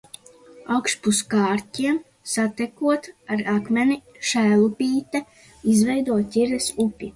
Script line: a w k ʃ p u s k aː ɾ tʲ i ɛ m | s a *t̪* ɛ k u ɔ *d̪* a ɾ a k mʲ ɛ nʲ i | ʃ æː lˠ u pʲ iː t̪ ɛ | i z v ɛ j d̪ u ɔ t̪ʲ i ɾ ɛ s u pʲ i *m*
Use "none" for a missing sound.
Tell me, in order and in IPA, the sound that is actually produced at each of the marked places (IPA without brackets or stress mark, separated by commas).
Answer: t̪, t̪, none